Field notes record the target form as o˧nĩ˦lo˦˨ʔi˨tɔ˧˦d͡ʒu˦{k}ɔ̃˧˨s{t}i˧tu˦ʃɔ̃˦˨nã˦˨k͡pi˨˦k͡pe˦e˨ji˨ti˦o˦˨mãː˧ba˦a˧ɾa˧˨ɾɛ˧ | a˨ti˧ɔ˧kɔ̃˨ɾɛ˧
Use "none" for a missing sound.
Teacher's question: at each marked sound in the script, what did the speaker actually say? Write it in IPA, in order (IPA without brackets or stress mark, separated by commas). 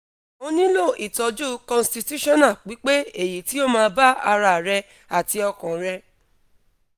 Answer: k, t